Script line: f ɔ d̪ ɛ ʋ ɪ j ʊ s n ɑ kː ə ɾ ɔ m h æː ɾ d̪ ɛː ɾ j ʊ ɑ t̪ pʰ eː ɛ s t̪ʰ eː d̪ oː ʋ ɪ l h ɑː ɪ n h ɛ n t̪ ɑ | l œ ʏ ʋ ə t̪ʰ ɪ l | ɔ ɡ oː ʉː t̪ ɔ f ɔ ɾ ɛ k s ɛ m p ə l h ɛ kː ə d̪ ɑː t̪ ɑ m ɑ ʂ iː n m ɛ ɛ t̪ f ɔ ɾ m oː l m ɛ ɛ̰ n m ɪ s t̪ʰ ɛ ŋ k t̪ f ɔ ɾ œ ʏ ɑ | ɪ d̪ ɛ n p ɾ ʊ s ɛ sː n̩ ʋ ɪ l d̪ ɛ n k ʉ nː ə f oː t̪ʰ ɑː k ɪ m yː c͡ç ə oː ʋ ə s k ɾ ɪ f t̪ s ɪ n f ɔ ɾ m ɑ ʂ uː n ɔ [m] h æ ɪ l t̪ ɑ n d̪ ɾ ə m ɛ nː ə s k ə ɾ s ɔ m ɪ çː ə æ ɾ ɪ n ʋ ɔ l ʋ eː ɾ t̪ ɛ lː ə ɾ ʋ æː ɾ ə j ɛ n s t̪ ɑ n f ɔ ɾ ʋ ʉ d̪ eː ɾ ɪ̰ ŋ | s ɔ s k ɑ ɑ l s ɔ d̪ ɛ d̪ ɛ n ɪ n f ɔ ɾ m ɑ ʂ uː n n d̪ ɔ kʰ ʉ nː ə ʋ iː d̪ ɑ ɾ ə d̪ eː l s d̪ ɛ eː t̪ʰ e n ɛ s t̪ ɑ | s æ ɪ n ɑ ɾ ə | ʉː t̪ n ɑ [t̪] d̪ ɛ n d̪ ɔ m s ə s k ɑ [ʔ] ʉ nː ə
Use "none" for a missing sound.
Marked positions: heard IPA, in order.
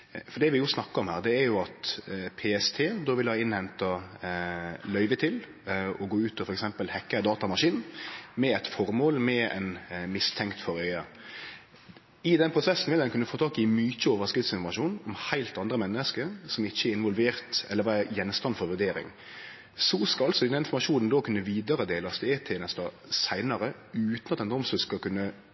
m, t̪, k

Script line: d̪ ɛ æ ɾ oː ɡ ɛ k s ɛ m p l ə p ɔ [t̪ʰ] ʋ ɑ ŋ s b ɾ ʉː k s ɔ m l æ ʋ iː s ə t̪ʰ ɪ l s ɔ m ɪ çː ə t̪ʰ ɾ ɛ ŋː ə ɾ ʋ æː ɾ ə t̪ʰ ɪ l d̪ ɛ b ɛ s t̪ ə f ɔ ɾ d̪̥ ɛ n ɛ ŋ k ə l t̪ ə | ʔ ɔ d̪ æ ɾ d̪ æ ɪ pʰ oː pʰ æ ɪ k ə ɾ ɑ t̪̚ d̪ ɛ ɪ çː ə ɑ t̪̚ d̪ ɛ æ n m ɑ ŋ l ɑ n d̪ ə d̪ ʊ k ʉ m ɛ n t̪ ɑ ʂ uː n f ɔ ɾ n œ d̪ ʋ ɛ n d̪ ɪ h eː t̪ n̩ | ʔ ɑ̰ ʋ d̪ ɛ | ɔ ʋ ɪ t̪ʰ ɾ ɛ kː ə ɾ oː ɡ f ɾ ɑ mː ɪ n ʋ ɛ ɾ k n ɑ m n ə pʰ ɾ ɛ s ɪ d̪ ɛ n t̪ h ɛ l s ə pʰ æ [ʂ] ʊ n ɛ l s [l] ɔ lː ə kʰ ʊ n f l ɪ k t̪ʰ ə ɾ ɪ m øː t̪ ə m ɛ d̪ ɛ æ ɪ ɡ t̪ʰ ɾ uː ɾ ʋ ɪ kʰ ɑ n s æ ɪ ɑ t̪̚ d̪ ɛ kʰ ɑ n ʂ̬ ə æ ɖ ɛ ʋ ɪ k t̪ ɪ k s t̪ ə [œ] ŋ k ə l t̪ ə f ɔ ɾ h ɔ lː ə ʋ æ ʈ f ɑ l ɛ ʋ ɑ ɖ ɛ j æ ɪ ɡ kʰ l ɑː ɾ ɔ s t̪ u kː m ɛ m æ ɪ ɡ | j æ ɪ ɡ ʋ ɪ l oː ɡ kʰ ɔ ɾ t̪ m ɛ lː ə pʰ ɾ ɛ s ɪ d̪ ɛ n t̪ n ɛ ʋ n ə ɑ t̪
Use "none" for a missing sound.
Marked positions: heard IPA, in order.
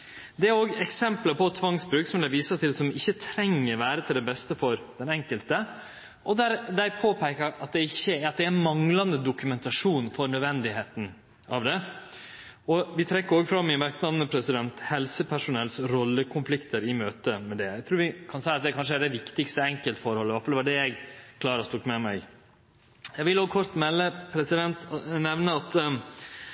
t̪ʰ, ʂ, ɾ, ɛ

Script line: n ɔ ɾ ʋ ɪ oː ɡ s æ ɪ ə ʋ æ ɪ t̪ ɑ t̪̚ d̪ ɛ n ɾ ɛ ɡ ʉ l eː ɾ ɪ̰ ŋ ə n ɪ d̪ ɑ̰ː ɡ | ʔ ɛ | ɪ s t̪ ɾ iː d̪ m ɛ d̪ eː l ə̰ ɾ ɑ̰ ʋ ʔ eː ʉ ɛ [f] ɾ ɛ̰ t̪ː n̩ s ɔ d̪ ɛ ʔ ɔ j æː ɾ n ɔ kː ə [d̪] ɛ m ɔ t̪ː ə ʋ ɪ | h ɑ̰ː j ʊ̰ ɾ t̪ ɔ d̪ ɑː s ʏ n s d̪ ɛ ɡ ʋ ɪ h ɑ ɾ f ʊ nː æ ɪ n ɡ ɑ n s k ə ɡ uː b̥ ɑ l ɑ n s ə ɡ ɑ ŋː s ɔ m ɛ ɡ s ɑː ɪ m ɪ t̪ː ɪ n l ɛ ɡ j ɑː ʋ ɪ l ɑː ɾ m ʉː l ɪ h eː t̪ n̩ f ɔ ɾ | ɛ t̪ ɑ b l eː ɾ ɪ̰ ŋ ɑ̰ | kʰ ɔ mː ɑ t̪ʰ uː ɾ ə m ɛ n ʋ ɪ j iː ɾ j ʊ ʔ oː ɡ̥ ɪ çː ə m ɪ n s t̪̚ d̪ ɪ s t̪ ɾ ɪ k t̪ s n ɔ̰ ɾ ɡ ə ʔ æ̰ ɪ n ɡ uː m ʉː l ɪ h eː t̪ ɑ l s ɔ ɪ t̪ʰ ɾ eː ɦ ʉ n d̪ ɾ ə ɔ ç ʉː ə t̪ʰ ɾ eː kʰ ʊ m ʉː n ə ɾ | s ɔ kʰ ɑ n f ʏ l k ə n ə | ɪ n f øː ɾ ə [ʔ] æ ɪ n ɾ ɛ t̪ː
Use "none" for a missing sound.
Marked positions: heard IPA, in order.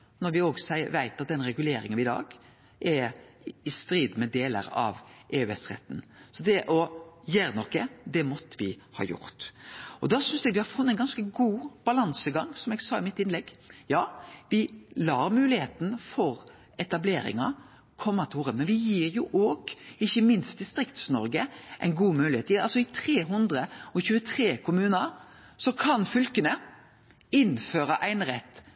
s, d̪, ʔ

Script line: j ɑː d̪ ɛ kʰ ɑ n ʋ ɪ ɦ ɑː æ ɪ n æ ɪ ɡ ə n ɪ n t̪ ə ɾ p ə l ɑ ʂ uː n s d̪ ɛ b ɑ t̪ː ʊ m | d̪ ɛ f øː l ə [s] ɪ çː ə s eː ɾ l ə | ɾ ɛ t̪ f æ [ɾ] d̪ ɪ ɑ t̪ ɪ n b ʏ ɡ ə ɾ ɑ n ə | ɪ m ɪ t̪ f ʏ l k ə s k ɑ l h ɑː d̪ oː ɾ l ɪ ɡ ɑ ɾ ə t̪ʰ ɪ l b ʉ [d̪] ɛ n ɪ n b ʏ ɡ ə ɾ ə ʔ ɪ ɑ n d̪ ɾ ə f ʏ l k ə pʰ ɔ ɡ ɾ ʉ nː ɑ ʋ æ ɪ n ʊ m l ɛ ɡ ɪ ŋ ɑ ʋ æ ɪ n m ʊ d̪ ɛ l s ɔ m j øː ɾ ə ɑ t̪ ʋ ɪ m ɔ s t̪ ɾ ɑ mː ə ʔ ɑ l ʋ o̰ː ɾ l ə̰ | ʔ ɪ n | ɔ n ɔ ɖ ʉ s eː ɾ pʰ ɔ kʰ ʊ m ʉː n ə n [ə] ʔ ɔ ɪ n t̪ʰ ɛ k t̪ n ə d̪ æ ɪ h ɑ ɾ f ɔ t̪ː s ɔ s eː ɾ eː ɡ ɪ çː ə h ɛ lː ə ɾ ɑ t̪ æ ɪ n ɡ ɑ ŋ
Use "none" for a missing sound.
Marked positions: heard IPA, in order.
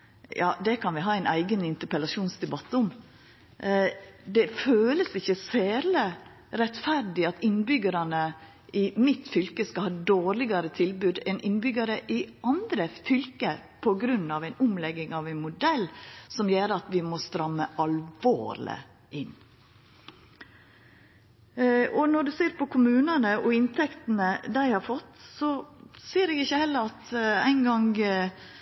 s, ɾ, d̪, ə

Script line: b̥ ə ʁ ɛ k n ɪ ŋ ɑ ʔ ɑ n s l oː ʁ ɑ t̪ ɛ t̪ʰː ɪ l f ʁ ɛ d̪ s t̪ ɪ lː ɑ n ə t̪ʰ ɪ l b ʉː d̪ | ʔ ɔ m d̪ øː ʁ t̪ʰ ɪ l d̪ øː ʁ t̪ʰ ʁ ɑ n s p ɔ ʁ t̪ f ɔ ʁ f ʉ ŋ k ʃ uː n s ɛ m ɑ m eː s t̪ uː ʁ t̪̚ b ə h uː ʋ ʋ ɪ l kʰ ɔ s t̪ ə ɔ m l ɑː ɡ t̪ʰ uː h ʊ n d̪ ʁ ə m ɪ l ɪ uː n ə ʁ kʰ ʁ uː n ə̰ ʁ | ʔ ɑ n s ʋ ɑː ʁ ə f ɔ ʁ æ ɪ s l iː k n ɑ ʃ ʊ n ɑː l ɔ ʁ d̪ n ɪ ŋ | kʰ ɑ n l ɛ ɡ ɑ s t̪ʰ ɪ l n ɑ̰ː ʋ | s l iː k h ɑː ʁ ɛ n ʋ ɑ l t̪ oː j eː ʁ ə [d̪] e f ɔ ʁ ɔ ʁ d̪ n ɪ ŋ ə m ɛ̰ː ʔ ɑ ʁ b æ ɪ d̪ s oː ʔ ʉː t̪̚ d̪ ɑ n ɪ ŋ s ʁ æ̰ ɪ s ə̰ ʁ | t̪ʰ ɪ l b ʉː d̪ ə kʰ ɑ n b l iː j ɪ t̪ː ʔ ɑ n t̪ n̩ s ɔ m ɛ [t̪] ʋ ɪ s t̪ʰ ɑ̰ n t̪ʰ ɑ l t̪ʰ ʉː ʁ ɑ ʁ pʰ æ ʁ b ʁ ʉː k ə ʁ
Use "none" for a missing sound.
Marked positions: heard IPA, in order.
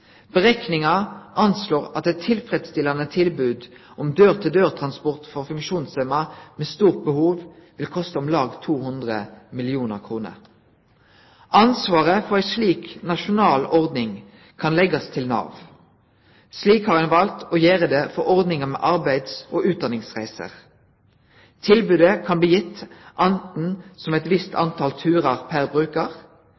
d̪, t̪

